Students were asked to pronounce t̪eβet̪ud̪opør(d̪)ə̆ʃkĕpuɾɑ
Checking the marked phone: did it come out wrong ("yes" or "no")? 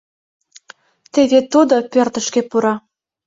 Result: yes